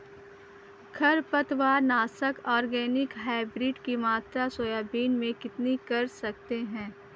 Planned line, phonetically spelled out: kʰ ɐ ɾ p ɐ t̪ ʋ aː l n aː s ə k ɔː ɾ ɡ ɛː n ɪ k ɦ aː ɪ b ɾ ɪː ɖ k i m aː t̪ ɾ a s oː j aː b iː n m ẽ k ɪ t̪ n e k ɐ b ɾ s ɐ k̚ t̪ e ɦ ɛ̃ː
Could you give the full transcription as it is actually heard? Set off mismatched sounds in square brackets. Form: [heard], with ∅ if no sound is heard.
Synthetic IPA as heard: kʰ ɐ ɾ p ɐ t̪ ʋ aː [ɾ] n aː s ə k ɔː ɾ ɡ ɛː n ɪ k ɦ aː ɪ b ɾ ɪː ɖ k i m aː t̪ ɾ a s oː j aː b iː n m ẽ k ɪ t̪ n [i] k ɐ [∅] ɾ s ɐ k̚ t̪ e ɦ ɛ̃ː

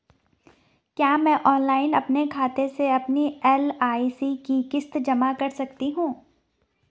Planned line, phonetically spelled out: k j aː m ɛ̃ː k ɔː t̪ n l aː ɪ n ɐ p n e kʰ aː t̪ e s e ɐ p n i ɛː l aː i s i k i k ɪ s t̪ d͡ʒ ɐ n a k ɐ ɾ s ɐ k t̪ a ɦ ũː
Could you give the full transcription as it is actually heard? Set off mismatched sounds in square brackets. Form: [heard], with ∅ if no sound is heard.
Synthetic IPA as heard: k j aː m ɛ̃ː [ʔ] ɔː [∅] n l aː ɪ n ɐ p n e kʰ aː t̪ e s e ɐ p n i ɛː l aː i s i k i k ɪ s t̪ d͡ʒ ɐ [m] a k ɐ ɾ s ɐ k t̪ [i] ɦ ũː

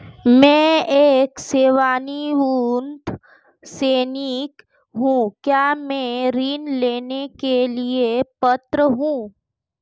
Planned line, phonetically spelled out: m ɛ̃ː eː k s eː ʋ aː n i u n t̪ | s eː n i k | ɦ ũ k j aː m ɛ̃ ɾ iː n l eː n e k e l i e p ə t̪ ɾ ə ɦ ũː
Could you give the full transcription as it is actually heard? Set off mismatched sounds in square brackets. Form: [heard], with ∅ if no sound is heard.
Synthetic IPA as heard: m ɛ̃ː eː k s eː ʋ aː n i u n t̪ | s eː n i k | ɦ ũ k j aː m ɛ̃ ɾ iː n l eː n e k e l i e p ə t̪ ɾ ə ɦ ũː

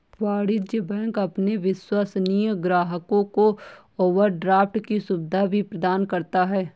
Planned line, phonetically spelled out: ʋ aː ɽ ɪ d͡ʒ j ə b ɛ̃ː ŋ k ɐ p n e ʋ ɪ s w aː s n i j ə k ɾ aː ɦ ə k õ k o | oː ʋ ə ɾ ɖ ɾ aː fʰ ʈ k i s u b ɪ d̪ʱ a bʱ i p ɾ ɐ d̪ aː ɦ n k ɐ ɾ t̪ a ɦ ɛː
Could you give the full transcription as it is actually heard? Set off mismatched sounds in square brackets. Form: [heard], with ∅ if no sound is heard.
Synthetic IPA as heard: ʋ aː ɽ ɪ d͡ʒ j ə b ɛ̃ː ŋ k ɐ p n e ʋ ɪ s w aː s n i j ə [ɡ] ɾ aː ɦ ə k õ k o | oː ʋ ə ɾ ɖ ɾ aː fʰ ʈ k i s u b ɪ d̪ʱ a bʱ i p ɾ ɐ d̪ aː [∅] n k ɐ ɾ t̪ a ɦ ɛː

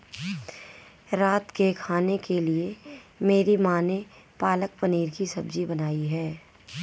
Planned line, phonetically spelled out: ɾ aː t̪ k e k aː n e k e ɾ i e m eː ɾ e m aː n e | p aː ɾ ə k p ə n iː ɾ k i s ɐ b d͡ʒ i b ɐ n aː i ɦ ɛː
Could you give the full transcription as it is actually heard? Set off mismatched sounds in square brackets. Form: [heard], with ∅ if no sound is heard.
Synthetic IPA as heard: ɾ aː t̪ k e [kʰ] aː n e k e [l] i e m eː ɾ [i] m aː n e | p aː [l] ə k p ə n iː ɾ k i s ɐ b d͡ʒ i b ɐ n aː i ɦ ɛː

